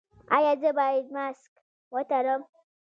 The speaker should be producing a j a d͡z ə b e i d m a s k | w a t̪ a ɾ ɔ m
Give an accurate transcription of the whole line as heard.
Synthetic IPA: a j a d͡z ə b a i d m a s k | w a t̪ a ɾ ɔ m